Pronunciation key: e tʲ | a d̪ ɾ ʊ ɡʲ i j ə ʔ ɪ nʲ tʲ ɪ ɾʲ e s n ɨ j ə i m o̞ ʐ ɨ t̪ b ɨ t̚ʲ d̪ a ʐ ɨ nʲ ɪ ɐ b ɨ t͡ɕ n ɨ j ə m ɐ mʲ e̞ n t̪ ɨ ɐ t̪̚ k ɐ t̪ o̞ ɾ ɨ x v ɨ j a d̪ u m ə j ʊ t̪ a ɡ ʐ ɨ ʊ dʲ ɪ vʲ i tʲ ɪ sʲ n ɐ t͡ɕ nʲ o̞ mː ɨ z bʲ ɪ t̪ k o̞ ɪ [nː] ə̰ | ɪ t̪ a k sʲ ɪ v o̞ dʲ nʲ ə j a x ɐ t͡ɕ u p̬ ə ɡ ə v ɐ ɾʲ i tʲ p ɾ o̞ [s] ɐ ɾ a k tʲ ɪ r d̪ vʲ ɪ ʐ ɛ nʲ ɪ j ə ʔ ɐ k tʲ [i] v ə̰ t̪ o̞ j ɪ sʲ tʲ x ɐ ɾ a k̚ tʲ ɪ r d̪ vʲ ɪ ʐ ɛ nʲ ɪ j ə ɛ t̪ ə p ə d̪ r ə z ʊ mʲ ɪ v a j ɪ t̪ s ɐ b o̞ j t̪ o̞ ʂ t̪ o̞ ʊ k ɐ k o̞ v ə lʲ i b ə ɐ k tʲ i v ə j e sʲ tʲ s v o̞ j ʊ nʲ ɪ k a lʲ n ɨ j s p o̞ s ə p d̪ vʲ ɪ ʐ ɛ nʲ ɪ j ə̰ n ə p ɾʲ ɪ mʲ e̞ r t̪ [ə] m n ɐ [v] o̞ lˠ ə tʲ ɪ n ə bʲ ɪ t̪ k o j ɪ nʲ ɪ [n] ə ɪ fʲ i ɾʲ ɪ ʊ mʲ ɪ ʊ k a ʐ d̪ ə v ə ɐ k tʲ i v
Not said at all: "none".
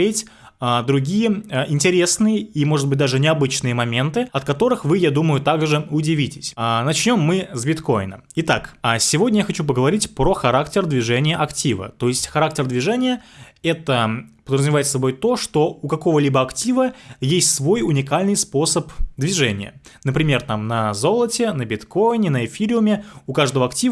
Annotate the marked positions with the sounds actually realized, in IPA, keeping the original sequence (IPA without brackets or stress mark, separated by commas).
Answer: n, x, i, a, z, n